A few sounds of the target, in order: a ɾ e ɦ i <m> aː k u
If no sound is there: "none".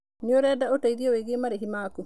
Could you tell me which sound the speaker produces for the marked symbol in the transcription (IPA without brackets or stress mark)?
m